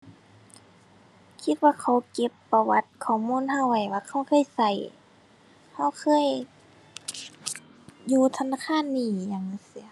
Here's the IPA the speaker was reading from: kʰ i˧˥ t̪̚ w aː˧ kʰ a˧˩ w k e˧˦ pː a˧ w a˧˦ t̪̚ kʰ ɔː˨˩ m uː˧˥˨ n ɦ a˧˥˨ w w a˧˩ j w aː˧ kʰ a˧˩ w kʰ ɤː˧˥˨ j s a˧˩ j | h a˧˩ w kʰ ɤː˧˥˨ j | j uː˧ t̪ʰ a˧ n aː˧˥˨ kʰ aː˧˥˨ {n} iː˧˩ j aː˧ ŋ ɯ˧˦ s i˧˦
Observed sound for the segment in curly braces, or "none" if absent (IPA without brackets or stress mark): nː